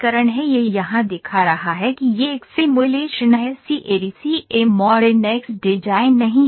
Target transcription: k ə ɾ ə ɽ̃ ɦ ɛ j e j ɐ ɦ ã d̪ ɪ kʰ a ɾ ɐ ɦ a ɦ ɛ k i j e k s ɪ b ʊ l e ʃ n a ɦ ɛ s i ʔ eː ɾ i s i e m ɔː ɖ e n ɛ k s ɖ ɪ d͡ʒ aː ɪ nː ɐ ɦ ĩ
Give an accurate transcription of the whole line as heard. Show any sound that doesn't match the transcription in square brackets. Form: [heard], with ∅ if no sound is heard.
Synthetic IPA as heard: k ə ɾ ə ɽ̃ ɦ ɛ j e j ɐ ɦ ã d̪ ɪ kʰ a ɾ ɐ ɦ a ɦ ɛ k i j e k s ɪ [m] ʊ l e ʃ n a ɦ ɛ s i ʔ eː ɾ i s i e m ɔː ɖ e n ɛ k s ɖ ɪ d͡ʒ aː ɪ nː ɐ ɦ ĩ